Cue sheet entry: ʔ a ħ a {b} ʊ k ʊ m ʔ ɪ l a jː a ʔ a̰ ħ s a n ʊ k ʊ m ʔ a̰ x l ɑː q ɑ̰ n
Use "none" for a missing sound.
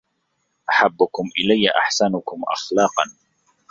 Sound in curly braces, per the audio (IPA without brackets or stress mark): bː